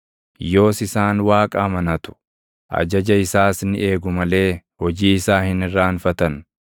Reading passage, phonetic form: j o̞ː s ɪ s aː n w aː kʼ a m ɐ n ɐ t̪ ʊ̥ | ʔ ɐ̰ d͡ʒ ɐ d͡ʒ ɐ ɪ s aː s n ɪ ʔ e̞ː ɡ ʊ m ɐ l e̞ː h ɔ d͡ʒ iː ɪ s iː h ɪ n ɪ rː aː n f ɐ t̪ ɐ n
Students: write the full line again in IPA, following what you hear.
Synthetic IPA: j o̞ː s ɪ s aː n w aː kʼ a m ɐ n ɐ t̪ ʊ̥ | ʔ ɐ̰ d͡ʒ ɐ d͡ʒ ɐ ɪ s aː s n ɪ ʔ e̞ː ɡ ʊ m ɐ l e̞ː h ɔ d͡ʒ iː ɪ s aː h ɪ n ɪ rː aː n f ɐ t̪ ɐ n

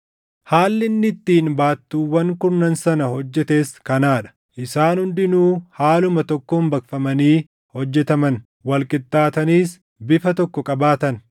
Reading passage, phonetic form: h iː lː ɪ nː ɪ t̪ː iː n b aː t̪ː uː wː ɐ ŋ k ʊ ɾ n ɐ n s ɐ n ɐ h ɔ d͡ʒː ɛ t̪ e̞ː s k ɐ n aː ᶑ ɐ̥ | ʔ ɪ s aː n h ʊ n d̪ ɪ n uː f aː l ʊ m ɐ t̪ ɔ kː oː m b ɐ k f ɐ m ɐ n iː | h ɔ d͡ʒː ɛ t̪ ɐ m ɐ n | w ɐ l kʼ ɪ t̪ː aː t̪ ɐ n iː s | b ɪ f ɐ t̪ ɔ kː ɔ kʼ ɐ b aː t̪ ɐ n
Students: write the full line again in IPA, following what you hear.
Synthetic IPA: h aː lː ɪ nː ɪ t̪ː iː n b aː t̪ː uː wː ɐ ŋ k ʊ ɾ n ɐ n s ɐ n ɐ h ɔ d͡ʒː ɛ t̪ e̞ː s k ɐ n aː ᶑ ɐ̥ | ʔ ɪ s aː n h ʊ n d̪ ɪ n uː h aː l ʊ m ɐ t̪ ɔ kː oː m b ɐ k f ɐ m ɐ n iː | h ɔ d͡ʒː ɛ t̪ ɐ m ɐ n | w ɐ l kʼ ɪ t̪ː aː t̪ ɐ n iː s | b ɪ f ɐ t̪ ɔ kː ɔ kʼ ɐ b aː t̪ ɐ n

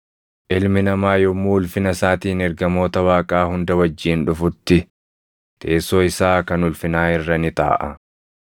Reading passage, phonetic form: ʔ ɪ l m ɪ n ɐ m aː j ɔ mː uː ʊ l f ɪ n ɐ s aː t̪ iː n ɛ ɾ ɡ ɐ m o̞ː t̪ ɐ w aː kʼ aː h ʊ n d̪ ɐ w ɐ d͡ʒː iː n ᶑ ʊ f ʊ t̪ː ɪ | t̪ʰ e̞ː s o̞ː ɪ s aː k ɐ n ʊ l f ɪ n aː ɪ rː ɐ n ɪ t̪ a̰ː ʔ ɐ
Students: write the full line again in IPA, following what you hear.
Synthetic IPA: ʔ ɪ l m ɪ n ɐ m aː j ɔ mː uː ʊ l f ɪ n ɐ s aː t̪ iː n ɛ ɾ ɡ ɐ m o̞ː t̪ ɐ w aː kʼ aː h ʊ n d̪ ɐ w ɐ d͡ʒː iː n ᶑ ʊ f ʊ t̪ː ɪ | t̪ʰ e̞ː s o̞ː ɪ s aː k ɐ n ʊ l f ɪ n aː ɪ rː ɐ n ɪ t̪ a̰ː ʔ ɐ

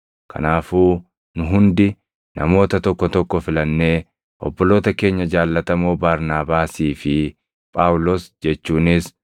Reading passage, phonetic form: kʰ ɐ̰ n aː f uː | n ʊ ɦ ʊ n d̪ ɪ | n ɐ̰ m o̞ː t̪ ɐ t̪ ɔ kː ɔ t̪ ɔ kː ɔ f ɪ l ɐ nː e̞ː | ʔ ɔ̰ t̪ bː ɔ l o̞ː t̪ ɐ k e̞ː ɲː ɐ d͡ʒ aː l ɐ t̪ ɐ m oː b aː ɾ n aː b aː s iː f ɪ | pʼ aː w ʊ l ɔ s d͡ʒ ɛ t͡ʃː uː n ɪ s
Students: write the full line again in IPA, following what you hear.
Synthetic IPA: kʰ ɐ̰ n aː f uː | n ʊ ɦ ʊ n d̪ ɪ | n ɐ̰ m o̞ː t̪ ɐ t̪ ɔ kː ɔ t̪ ɔ kː ɔ f ɪ l ɐ nː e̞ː | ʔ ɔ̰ bː ɔ l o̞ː t̪ ɐ k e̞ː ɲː ɐ d͡ʒ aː lː ɐ t̪ ɐ m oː b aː ɾ n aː b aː s iː f ɪ | pʼ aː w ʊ l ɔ s d͡ʒ ɛ t͡ʃː uː n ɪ s

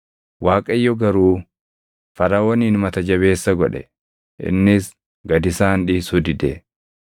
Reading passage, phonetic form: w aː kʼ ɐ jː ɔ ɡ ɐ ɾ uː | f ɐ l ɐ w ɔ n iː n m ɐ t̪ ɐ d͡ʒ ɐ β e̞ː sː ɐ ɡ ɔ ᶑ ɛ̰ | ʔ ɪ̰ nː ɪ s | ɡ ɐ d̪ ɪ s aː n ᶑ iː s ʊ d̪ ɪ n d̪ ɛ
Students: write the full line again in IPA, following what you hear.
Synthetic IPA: w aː kʼ ɐ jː ɔ ɡ ɐ ɾ uː | f ɐ ɾ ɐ w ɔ n iː n m ɐ t̪ ɐ d͡ʒ ɐ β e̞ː sː ɐ ɡ ɔ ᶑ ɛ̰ | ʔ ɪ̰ nː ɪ s | ɡ ɐ d̪ ɪ s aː n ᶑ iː s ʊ d̪ ɪ d̪ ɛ

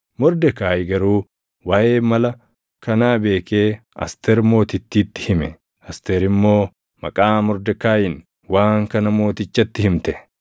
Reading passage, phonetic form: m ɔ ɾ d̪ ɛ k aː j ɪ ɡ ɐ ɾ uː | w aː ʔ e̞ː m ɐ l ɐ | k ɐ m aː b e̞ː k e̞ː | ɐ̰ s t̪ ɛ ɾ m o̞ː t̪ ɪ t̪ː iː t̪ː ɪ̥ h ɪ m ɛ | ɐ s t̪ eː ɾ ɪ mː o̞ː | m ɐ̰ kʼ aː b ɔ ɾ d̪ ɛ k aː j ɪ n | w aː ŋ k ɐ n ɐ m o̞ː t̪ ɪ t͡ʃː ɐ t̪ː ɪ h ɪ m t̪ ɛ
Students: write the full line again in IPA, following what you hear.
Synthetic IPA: m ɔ ɾ d̪ ɛ k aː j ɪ ɡ ɐ ɾ uː | w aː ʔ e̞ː m ɐ l ɐ | k ɐ n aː b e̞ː k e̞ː | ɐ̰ s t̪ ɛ ɾ m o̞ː t̪ ɪ t̪ː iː t̪ː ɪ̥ h ɪ m ɛ | ɐ s t̪ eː ɾ ɪ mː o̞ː | m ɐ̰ kʼ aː m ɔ ɾ d̪ ɛ k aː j ɪ n | w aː ŋ k ɐ n ɐ m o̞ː t̪ ɪ t͡ʃː ɐ t̪ː ɪ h ɪ m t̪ ɛ

